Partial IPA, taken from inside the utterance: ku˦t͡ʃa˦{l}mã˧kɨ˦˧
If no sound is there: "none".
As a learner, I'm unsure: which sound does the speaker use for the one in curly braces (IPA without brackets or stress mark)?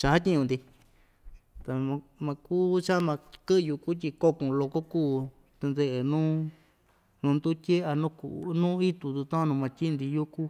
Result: none